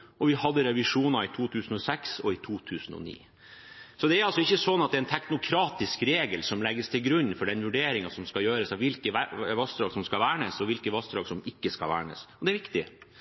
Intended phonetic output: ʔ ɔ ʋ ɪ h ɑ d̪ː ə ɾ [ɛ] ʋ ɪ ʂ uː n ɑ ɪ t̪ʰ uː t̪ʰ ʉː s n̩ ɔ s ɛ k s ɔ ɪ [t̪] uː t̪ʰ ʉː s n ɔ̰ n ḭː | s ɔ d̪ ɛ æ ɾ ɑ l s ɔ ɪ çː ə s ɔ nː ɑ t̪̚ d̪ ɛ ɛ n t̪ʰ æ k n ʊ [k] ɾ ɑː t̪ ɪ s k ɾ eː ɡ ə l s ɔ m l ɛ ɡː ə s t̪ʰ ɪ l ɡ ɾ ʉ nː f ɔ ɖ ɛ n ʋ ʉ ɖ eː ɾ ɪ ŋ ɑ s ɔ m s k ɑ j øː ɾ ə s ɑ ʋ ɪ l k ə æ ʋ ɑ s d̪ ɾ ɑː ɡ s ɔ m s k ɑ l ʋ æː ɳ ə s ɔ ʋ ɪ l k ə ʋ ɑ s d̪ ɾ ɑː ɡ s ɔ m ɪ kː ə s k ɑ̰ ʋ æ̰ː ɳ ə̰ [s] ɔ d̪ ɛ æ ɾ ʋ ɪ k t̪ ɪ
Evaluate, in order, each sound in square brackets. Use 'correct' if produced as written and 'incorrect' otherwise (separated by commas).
correct, incorrect, incorrect, correct